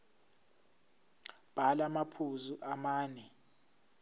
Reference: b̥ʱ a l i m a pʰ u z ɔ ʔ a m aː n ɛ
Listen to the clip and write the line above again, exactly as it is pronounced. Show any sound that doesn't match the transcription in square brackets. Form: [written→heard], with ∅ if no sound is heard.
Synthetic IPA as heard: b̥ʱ a l [i→a] m a pʰ u z [ɔ→u] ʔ a m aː n ɛ